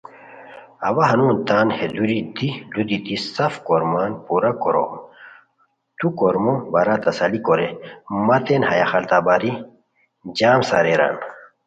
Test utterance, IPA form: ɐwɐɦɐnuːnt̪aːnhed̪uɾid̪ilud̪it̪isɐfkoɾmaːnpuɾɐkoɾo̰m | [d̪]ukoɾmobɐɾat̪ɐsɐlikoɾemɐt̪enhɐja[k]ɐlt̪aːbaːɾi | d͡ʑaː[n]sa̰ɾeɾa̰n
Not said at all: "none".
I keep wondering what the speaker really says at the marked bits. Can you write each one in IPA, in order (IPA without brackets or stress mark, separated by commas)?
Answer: t̪, x, m